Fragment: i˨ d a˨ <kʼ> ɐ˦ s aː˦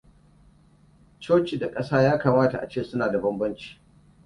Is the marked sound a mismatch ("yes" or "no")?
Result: no